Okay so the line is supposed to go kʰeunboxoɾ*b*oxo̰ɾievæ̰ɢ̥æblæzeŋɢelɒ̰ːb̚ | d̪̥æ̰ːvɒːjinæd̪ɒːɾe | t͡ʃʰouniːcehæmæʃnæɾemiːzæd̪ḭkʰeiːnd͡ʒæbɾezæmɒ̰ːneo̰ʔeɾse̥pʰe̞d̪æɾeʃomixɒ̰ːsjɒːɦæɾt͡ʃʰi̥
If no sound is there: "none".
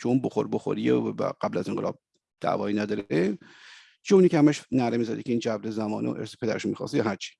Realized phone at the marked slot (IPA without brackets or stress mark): b